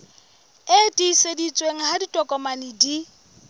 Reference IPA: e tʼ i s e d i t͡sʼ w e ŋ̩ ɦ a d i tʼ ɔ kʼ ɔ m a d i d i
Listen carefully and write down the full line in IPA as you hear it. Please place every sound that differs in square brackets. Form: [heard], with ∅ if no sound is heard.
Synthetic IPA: e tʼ i s e d i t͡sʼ w e ŋ̩ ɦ a d i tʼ ɔ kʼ ɔ m a [n] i d i